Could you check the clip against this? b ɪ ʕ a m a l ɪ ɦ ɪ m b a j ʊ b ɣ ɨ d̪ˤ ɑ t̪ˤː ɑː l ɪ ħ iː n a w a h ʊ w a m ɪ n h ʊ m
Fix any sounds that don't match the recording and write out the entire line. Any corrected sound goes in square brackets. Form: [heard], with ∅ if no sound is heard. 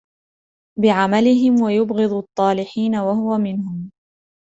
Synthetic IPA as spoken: b ɪ ʕ a m a l ɪ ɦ ɪ m [w] a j ʊ b ɣ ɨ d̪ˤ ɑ t̪ˤː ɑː l ɪ ħ iː n a w a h ʊ w a m ɪ n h ʊ m

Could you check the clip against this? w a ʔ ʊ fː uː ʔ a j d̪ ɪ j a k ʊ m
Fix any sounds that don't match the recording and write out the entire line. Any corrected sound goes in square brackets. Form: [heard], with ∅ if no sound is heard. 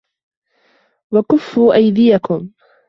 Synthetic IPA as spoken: w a [k] ʊ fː uː ʔ a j d̪ ɪ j a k ʊ m

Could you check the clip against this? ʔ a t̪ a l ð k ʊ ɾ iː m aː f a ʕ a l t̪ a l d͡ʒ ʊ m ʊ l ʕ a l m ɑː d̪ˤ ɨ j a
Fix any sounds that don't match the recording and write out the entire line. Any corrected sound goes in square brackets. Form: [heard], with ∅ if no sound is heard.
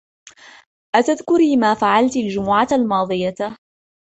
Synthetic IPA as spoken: ʔ a t̪ a [∅] ð k ʊ ɾ iː m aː f a ʕ a l t̪ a l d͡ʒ ʊ m ʊ [∅] ʕ a l m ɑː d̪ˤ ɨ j a

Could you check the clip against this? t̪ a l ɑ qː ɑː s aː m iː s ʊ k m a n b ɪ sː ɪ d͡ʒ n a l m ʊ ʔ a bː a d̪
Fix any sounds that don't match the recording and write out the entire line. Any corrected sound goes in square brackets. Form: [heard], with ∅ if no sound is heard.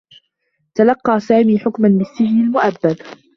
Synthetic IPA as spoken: t̪ a l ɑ qː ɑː s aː m iː [ħ] ʊ k m a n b ɪ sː ɪ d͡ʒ n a l m ʊ ʔ a bː a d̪

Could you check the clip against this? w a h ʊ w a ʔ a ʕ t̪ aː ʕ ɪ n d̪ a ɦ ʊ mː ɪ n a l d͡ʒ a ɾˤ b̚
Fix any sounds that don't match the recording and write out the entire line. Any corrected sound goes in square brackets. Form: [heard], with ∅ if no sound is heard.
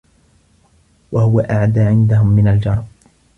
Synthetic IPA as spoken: w a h ʊ w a ʔ a ʕ [d̪] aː ʕ ɪ n d̪ a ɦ ʊ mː ɪ n a l d͡ʒ [ɑ] ɾˤ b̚

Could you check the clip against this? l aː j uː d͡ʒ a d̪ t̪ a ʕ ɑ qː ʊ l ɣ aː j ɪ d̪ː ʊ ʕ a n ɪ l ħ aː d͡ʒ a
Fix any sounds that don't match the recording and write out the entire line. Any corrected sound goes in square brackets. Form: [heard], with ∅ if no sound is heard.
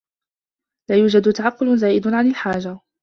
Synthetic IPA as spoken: l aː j uː d͡ʒ a d̪ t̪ a ʕ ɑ qː ʊ l [z] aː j ɪ [d̪] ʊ ʕ a n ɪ l ħ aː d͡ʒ a

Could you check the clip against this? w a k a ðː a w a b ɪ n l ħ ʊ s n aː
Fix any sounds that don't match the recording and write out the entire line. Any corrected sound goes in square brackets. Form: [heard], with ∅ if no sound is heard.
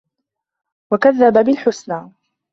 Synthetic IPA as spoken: w a k a ðː a [b] a b ɪ [∅] l ħ ʊ s n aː

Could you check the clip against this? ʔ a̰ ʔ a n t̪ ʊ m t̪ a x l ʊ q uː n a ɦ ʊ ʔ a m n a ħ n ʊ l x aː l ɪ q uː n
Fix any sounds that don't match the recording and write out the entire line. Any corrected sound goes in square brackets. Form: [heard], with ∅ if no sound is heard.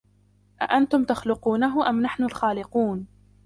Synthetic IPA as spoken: ʔ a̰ ʔ a n t̪ ʊ m t̪ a x l ʊ q uː n a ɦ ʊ ʔ a m n a ħ n ʊ l x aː l ɪ q uː n

